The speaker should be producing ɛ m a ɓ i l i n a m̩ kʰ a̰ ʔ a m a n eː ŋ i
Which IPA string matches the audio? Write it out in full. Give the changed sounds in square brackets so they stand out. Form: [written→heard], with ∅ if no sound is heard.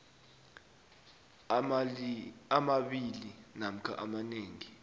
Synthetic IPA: [ɛ→a] m a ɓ i l i n a m̩ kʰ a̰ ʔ a m a n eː ŋ i